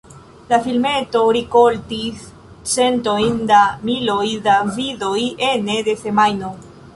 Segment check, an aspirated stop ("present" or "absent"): absent